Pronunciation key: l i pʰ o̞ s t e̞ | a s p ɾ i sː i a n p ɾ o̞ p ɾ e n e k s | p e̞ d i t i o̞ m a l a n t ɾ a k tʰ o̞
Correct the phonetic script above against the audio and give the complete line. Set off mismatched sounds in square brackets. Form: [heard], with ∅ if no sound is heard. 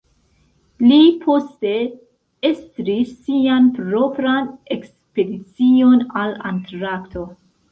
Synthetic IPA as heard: l i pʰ o̞ s t e̞ | [e] s [t] ɾ i sː i a n p ɾ o̞ p ɾ [a] n e k s | p e̞ d i [t͡s] i o̞ [n] a l a n t ɾ a k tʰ o̞

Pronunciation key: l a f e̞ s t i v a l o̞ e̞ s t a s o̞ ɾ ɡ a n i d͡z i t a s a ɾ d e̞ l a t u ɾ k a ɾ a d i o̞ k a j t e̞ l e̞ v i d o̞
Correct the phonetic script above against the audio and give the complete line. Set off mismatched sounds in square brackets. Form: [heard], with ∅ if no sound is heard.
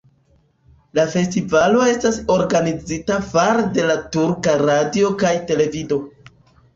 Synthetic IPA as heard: l a f e̞ s t i v a l o̞ e̞ s t a s o̞ ɾ ɡ a n i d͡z i t a [f] a ɾ d e̞ l a t u ɾ k a ɾ a d i o̞ k a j t e̞ l e̞ v i d o̞

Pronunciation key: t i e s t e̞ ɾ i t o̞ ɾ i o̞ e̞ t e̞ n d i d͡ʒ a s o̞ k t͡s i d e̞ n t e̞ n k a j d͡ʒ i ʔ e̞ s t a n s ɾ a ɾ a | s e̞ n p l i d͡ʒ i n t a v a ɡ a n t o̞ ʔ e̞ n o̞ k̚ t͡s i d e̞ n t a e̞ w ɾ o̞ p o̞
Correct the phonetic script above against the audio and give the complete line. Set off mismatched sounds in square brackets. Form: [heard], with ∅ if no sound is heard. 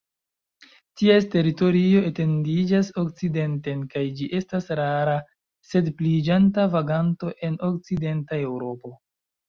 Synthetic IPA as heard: t i e s t e̞ ɾ i t o̞ ɾ i o̞ e̞ t e̞ n d i d͡ʒ a s o̞ k t͡s i d e̞ n t e̞ n k a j d͡ʒ i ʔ e̞ s t a [∅] s ɾ a ɾ a | s e̞ [d] p l i d͡ʒ [a] n t a v a ɡ a n t o̞ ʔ e̞ n o̞ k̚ t͡s i d e̞ n t a e̞ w ɾ o̞ p o̞

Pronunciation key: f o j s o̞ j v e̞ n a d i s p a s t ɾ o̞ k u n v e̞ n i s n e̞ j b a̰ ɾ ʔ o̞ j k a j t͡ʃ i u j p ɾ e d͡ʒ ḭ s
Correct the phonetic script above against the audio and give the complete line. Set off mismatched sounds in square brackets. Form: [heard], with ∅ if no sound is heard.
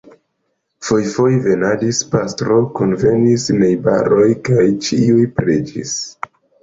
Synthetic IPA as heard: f o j [f] o̞ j v e̞ n a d i s p a s t ɾ o̞ k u n v e̞ n i s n e̞ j b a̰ ɾ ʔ o̞ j k a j t͡ʃ i u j p ɾ e d͡ʒ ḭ s

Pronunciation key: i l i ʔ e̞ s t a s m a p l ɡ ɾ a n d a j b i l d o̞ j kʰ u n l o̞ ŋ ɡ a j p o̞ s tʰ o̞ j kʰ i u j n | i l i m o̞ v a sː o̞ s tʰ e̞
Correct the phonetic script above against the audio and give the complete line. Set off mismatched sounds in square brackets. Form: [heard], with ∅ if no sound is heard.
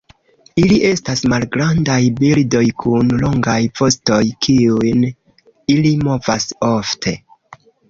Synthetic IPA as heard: i l i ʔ e̞ s t a s m a [∅] l ɡ ɾ a n d a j b i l d o̞ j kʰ u n l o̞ ŋ ɡ a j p o̞ s [t] o̞ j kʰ i u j n | i l i m o̞ v a [s] o̞ [f] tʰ e̞

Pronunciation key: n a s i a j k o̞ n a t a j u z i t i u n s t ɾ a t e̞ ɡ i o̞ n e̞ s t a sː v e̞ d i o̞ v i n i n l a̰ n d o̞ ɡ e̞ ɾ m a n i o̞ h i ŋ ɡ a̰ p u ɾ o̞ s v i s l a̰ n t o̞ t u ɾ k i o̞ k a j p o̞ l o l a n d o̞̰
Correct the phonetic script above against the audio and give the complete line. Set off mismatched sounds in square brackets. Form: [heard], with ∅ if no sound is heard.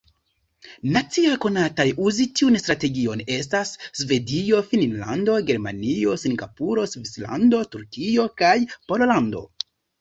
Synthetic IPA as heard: n a [t͡s] i a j k o̞ n a t a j u z i t i u n s t ɾ a t e̞ ɡ i o̞ n e̞ s t a sː v e̞ d i o̞ [f] i n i n l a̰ n d o̞ ɡ e̞ ɾ m a n i o̞ [s] i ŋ ɡ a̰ p u ɾ o̞ s v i s l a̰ n [d] o̞ t u ɾ k i o̞ k a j p o̞ l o l a n d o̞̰

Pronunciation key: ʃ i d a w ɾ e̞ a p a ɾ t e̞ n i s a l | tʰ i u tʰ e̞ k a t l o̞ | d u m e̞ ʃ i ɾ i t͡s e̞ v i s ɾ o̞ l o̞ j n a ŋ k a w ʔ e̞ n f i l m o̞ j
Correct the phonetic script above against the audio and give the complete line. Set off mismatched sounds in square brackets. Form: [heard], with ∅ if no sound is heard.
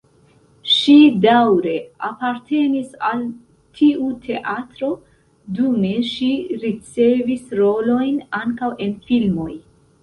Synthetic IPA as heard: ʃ i d a w ɾ e̞ a p a ɾ t e̞ n i s a l | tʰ i u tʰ e̞ [ʔ] a t [ɾ] o̞ | d u m e̞ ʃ i ɾ i t͡s e̞ v i s ɾ o̞ l o̞ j n a ŋ k a w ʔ e̞ n f i l m o̞ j

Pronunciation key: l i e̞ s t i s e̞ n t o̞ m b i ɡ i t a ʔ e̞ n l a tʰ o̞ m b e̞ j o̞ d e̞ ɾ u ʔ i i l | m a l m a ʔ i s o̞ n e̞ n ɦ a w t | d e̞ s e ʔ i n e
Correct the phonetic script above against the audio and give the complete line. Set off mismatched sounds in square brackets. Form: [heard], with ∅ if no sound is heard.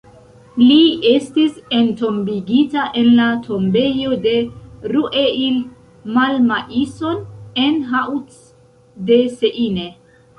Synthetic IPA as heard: l i e̞ s t i s e̞ n t o̞ m b i ɡ i t a ʔ e̞ n l a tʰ o̞ m b e̞ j o̞ d e̞ ɾ u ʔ [e] i l | m a l m a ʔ i s o̞ n e̞ n ɦ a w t | d e̞ s e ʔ i n e

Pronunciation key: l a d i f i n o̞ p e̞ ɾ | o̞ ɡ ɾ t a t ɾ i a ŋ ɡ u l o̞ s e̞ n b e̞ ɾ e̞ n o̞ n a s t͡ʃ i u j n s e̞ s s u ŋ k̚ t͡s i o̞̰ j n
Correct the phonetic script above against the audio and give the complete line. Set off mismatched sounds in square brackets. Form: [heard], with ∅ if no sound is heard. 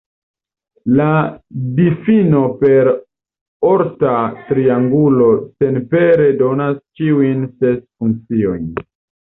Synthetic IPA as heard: l a d i f i n o̞ p e̞ ɾ | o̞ [∅] ɾ t a t ɾ i a ŋ ɡ u l o̞ s e̞ n [p] e̞ ɾ e̞ [d] o̞ n a s t͡ʃ i u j n s e̞ s [f] u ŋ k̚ t͡s i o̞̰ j n

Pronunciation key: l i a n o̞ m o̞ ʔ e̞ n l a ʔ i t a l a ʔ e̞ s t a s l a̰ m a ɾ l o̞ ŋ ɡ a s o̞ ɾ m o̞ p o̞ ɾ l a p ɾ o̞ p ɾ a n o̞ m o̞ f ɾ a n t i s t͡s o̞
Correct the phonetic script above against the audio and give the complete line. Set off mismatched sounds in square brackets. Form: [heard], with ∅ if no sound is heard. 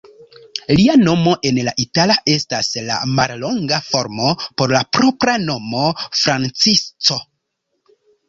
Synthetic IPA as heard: l i a n o̞ m o̞ ʔ e̞ n l a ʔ i t a l a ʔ e̞ s t a s l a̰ m a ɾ l o̞ ŋ ɡ a [f] o̞ ɾ m o̞ p o̞ ɾ l a p ɾ o̞ p ɾ a n o̞ m o̞ f ɾ a n [t͡s] i s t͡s o̞

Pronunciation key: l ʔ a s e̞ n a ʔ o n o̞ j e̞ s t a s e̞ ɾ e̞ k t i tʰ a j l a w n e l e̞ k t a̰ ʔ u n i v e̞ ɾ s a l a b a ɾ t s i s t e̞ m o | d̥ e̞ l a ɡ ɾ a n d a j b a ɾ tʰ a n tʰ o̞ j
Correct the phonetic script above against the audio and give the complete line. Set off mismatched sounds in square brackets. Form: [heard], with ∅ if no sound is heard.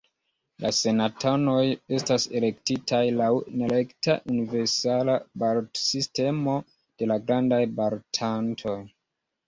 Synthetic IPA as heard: l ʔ a s e̞ n a [t] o n o̞ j e̞ s t a s e̞ [l] e̞ k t i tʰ a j l a w n e l e̞ k t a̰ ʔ u n i v e̞ ɾ s a l a b a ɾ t s i s t e̞ m o | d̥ e̞ l a ɡ ɾ a n d a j b a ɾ tʰ a n tʰ o̞ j

